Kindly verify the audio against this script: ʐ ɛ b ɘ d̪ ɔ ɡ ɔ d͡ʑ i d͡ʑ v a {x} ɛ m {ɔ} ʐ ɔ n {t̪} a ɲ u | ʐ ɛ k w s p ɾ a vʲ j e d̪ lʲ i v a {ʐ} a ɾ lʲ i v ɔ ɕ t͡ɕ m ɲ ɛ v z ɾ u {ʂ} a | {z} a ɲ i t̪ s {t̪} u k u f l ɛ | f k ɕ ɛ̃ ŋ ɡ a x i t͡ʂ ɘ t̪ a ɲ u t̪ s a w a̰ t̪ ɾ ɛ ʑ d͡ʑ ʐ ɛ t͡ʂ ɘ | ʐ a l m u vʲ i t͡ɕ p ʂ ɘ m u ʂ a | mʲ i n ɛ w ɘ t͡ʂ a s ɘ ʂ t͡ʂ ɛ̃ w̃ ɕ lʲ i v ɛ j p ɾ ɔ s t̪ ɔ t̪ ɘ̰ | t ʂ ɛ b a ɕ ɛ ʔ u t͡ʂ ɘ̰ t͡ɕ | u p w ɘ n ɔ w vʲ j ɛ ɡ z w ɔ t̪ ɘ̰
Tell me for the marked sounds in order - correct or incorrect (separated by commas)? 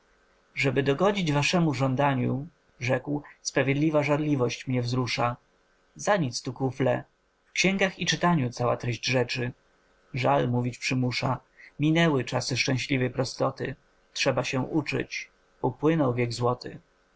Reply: incorrect, incorrect, incorrect, correct, correct, correct, correct